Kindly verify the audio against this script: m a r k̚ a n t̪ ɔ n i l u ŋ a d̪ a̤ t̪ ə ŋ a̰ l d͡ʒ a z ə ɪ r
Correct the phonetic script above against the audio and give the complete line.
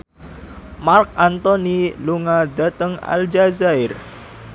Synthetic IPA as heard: m a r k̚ a n t̪ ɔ n i l u ŋ a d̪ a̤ t̪ ə ŋ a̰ l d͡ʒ a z a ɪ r